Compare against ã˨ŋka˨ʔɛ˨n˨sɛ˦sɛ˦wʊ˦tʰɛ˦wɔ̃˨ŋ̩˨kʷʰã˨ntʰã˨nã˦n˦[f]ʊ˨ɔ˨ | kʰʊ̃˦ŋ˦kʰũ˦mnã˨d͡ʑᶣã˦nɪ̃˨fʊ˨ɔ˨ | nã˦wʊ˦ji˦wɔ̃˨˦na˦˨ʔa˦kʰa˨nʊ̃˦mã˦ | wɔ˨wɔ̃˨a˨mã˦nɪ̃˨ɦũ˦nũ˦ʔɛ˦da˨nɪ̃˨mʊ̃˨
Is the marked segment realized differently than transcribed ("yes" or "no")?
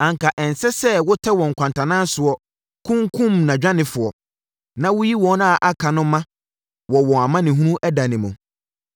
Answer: yes